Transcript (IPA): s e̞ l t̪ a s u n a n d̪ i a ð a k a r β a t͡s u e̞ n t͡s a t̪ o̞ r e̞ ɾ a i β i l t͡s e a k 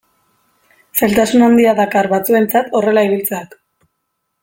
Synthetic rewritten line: s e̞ l t̪ a s u n a n d̪ i a ð a k a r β a t͡s u e̞ n t͡s a t̪ o̞ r e̞ l a i β i l t͡s e a k